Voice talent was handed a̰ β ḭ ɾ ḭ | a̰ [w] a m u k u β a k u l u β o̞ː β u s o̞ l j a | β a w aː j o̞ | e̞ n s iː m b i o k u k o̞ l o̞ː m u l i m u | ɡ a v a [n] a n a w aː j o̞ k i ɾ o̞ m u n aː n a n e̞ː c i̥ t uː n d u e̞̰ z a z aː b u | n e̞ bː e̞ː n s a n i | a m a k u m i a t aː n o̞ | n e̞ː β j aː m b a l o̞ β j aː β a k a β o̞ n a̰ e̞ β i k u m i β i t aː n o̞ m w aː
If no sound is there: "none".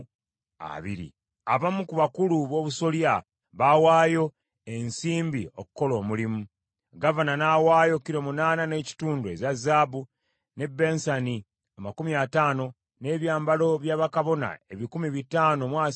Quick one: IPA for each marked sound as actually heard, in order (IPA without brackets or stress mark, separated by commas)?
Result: β, n